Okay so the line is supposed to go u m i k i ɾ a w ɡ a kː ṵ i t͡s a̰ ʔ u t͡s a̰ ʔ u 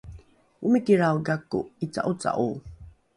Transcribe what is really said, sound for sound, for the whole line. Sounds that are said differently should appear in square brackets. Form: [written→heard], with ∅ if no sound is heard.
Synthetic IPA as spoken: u m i k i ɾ a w ɡ a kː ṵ i t͡s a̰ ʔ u t͡s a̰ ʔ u